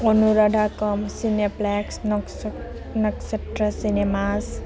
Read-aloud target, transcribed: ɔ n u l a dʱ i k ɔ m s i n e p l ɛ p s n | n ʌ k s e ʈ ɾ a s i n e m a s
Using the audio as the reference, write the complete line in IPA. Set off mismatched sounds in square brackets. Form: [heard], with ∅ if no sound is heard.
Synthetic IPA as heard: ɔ n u [ɾ] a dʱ [a] k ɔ m s i n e p l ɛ [k] s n | n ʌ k s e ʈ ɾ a s i n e m a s